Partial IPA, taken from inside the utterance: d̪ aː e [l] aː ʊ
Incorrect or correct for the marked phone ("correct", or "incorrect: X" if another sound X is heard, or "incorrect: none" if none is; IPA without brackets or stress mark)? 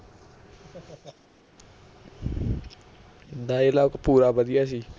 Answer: correct